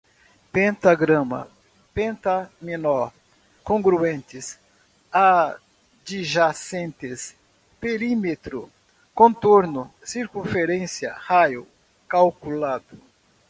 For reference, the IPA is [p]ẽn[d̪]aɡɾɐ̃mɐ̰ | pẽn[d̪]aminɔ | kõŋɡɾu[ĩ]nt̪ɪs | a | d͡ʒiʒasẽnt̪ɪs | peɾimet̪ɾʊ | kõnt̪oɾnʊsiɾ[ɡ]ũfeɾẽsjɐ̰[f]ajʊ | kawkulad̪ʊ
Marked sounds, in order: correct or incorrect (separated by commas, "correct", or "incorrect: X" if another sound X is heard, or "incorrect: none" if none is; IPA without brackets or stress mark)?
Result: correct, incorrect: t̪, incorrect: t̪, incorrect: ẽ, incorrect: k, incorrect: h